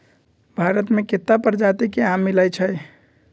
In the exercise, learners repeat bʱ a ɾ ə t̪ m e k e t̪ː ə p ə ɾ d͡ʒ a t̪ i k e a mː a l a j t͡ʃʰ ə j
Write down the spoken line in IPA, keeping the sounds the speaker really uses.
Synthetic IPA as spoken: bʱ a ɾ ə t̪ m e k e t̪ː a p ə ɾ d͡ʒ a t̪ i k e a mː i l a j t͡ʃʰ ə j